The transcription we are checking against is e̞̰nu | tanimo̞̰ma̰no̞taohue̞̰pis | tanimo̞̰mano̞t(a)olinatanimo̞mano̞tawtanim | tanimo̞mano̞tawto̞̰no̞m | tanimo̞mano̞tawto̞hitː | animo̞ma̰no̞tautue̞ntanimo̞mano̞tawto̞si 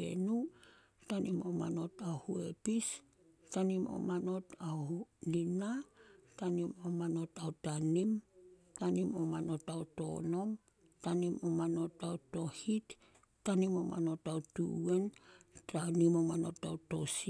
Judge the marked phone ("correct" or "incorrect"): correct